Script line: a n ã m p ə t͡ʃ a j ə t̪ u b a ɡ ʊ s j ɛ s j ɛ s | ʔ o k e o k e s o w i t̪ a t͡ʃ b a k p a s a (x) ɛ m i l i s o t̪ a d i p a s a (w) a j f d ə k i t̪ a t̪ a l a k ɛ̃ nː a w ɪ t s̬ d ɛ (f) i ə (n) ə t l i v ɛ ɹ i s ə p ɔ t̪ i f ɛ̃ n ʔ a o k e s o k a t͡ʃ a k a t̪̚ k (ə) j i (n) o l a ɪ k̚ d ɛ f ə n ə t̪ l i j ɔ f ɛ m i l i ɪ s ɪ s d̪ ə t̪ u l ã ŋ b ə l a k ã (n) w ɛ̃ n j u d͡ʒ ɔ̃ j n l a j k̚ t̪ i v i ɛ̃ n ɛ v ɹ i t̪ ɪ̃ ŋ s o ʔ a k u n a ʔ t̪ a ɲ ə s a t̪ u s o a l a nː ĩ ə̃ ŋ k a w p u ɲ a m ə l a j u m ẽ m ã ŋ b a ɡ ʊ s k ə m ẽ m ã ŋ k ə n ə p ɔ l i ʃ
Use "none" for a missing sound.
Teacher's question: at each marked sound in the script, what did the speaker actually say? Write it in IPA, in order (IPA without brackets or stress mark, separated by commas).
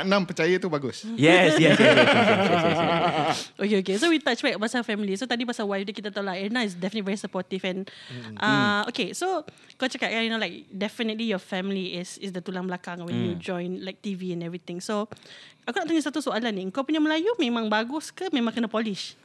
f, w, f, n, a, n, ŋ